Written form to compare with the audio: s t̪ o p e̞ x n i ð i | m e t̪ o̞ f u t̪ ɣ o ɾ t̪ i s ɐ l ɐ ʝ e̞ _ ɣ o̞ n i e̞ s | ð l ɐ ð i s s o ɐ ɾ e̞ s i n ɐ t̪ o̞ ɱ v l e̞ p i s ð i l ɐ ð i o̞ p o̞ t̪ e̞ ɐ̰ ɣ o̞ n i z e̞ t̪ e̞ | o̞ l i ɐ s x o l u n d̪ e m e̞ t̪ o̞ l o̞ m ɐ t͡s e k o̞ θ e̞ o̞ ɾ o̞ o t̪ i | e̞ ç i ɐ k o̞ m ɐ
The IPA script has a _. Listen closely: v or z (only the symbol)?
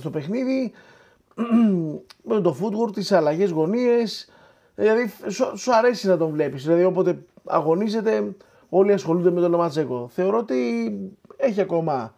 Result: z